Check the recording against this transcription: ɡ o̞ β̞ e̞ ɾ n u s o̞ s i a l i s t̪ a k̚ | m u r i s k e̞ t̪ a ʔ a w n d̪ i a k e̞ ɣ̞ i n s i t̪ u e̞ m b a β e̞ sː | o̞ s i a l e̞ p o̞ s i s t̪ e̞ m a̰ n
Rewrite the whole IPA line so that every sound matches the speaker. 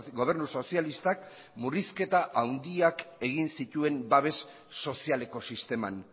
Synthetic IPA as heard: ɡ o̞ β̞ e̞ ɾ n u s o̞ s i a l i s t̪ a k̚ | m u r i s k e̞ t̪ a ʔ a w n d̪ i a k e̞ ɣ̞ i n s i t̪ u e̞ m b a β e̞ sː | o̞ s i a l e̞ k o̞ s i s t̪ e̞ m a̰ n